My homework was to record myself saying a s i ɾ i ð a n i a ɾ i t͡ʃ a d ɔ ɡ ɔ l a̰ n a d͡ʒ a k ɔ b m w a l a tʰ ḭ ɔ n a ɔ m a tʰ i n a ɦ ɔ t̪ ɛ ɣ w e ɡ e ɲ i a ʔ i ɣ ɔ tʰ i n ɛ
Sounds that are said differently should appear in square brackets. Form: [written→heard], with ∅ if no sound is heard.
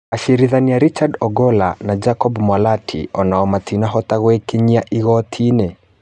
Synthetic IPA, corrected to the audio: a [s→ʃ] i ɾ i ð a n i a ɾ i t͡ʃ a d ɔ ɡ ɔ l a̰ n a d͡ʒ a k ɔ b m w a l a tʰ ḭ ɔ n a ɔ m a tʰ i n a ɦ ɔ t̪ [ɛ→a] ɣ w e [ɡ→k] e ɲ i a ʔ i ɣ ɔ tʰ i n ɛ